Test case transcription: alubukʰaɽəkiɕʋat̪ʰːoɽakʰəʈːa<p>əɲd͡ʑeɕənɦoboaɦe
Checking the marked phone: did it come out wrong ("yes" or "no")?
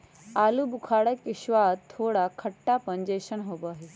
no